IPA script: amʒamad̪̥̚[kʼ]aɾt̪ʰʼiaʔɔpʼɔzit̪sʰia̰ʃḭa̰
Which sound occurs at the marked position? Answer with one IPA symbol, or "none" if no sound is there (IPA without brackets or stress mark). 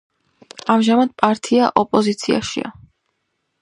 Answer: pʼ